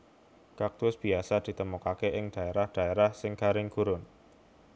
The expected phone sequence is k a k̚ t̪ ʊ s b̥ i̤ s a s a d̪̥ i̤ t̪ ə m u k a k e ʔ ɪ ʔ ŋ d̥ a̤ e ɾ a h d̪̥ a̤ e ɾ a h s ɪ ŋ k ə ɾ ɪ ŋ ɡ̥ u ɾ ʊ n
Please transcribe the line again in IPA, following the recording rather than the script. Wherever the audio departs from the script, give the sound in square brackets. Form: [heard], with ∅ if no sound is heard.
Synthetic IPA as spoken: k a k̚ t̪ ʊ s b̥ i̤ [∅] a s a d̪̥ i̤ t̪ ə m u k a k e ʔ ɪ [∅] ŋ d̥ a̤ e ɾ a h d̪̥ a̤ e ɾ a h s ɪ ŋ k [a] ɾ ɪ ŋ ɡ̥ u ɾ ʊ n